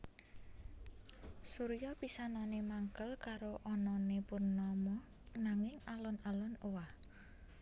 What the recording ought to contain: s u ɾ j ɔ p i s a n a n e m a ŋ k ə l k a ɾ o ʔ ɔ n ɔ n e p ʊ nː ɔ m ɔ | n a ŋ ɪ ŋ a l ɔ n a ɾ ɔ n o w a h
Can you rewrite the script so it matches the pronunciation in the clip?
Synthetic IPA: s u ɾ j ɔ p i s a n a n e m a ŋ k ə l k a ɾ o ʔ ɔ n ɔ n e p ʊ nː ɔ m ɔ | n a ŋ ɪ ŋ a l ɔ n a l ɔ n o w a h